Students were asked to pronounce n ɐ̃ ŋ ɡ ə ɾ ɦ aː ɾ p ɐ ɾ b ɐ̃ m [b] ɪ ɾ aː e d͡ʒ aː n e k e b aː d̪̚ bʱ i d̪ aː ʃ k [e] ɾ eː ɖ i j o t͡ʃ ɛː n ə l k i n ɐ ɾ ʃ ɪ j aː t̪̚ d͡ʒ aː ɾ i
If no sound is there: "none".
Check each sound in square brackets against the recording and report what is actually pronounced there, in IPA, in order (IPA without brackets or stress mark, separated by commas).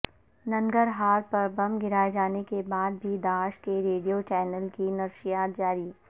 ɡ, e